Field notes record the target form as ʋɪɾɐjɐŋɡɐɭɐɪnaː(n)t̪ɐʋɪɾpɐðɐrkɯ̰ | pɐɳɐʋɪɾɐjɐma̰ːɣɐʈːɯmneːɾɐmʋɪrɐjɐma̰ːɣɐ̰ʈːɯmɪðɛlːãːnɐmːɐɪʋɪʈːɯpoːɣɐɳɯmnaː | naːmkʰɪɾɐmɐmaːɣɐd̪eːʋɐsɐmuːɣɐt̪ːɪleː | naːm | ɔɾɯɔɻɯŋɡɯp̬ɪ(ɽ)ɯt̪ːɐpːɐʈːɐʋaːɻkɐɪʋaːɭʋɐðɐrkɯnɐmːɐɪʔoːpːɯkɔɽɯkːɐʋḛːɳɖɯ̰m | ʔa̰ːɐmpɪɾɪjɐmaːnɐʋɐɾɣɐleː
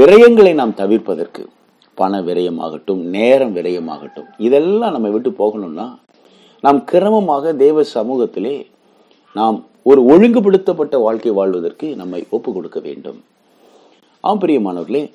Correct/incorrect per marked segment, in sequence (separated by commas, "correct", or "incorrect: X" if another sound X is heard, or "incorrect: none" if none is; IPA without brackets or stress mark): incorrect: m, correct